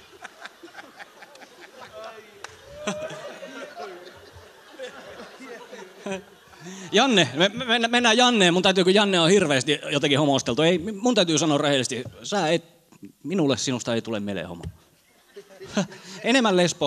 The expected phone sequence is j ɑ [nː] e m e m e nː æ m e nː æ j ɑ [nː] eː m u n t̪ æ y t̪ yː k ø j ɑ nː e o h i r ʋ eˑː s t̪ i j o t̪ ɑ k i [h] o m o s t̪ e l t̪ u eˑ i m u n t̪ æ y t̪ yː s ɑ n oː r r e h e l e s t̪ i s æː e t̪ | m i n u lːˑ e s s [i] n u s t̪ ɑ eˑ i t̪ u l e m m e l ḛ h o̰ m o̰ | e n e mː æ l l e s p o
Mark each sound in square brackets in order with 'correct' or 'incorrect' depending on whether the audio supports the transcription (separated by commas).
correct, correct, correct, correct